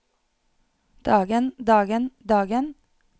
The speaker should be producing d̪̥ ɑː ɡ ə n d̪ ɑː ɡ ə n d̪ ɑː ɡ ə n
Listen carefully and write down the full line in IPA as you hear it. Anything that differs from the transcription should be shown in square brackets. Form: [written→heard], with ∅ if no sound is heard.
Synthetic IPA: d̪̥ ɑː ɡ ə n d̪ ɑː ɡ ə n d̪ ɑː ɡ ə n